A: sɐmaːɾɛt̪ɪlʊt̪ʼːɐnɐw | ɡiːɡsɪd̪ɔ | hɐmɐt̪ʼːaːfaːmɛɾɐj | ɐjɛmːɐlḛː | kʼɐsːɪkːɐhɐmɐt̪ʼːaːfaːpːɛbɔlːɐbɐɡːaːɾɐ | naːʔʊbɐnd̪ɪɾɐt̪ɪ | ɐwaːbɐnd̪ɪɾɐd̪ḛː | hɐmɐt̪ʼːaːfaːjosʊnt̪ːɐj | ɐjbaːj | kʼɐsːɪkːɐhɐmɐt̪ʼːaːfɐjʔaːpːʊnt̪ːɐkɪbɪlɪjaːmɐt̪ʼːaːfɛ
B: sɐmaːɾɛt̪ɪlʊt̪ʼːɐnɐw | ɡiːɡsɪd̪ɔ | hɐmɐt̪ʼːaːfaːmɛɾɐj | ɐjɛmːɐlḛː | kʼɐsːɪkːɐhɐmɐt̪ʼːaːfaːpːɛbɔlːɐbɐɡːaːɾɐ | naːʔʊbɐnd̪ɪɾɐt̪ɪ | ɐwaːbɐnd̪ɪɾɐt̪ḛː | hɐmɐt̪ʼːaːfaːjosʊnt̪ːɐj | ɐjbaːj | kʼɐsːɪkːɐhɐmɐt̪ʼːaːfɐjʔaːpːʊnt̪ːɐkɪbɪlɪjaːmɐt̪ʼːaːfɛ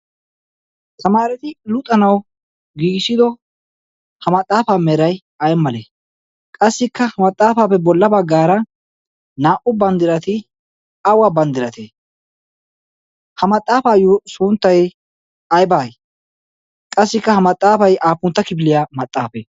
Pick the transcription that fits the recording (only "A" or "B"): B